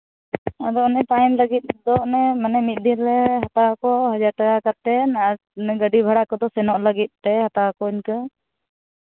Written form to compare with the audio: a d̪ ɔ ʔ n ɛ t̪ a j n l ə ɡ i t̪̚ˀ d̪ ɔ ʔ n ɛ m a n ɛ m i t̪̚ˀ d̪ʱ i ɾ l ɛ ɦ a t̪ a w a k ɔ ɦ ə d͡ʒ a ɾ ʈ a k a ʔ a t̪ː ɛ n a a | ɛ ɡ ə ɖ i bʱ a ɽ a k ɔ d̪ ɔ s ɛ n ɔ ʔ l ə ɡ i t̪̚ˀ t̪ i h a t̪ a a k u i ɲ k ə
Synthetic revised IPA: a d̪ ɔ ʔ n ɛ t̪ a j n l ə ɡ i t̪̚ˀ d̪ ɔ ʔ n ɛ m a n ɛ m i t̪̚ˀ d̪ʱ i ɾ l ɛ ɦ a t̪ a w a k ɔ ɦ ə d͡ʒ a ɾ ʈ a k a k a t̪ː ɛ n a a | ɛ ɡ ə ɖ i bʱ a ɽ a k ɔ d̪ ɔ s ɛ n ɔ ʔ l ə ɡ i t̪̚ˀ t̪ ɛ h a t̪ a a k ɔ i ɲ k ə